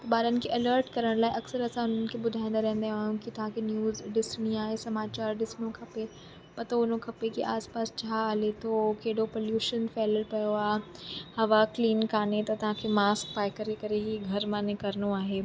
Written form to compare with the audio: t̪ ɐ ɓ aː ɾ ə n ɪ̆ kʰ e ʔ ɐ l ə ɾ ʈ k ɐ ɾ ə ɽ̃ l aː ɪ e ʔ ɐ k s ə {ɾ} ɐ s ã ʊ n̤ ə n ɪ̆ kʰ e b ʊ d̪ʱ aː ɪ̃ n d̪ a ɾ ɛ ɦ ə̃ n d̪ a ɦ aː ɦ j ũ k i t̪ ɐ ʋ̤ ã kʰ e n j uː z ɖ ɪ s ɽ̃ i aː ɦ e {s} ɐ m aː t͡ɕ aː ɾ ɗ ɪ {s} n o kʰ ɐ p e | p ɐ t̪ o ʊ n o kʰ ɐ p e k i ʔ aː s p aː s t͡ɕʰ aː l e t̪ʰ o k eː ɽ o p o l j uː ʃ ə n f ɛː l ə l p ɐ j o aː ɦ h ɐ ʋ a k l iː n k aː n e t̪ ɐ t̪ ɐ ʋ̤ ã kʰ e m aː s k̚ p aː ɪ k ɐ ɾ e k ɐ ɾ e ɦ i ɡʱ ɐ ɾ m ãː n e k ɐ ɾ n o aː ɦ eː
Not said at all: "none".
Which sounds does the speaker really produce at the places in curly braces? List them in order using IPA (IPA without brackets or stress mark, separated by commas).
ɾ, s, s